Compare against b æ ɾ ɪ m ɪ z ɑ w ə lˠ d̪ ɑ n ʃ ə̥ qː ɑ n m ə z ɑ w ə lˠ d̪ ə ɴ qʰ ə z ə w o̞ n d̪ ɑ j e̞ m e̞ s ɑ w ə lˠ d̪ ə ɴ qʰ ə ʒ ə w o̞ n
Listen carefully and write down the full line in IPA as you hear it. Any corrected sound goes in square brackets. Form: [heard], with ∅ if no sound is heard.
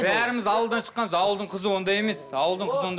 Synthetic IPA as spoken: b æ ɾ ɪ m ɪ z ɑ w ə lˠ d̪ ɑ n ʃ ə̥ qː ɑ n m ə z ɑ w ə lˠ d̪ ə ɴ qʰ ə z ə w o̞ n d̪ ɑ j e̞ m e̞ s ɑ w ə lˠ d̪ ə ɴ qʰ ə [z] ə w o̞ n